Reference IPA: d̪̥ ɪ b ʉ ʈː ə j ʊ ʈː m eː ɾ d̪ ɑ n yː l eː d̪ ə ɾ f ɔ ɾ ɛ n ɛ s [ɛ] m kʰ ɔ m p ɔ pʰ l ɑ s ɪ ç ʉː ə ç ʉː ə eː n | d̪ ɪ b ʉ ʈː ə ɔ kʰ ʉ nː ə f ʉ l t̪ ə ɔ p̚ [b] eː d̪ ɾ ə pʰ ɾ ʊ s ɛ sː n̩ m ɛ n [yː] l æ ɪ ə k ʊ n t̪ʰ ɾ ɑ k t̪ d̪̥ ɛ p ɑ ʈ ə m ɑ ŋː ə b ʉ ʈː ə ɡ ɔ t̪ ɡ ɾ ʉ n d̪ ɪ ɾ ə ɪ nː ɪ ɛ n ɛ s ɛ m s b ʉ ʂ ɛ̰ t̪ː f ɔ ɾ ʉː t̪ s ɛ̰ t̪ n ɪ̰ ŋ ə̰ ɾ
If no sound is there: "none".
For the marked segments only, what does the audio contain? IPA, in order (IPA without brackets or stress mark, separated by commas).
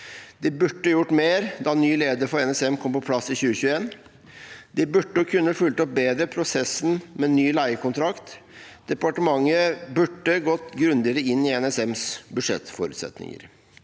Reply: ɛ, b, yː